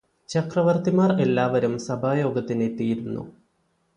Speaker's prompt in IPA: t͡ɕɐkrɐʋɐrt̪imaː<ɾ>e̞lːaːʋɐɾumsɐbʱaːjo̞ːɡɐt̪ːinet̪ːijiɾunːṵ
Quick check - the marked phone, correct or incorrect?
incorrect